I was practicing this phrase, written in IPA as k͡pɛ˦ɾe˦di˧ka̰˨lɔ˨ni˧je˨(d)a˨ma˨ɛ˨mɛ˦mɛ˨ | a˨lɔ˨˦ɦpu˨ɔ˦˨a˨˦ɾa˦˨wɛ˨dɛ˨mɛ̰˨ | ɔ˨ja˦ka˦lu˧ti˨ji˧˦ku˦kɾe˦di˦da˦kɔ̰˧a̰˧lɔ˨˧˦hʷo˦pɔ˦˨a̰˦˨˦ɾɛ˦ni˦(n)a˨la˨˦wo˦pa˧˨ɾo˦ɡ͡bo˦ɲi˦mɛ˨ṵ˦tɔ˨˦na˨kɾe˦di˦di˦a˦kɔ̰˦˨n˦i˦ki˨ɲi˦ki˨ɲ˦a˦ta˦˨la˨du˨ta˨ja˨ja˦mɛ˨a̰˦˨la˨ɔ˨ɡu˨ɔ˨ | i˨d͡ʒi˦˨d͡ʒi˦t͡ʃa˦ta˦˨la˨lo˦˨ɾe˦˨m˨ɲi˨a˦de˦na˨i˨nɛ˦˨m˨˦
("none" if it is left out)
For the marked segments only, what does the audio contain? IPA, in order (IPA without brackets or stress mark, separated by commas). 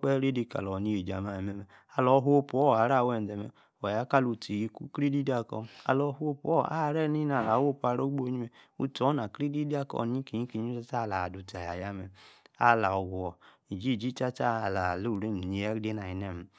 d͡ʒ, n